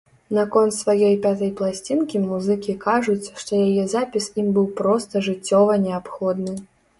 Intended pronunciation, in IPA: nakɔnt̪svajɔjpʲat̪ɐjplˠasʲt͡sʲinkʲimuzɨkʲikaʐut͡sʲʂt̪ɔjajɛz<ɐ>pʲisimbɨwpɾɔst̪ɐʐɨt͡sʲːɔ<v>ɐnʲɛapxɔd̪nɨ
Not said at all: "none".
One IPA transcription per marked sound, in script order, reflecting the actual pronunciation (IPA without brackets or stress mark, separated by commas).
a, v